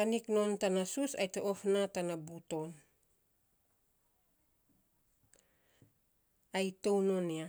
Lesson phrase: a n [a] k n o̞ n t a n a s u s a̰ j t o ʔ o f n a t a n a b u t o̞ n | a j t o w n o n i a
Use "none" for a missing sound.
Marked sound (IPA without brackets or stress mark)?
i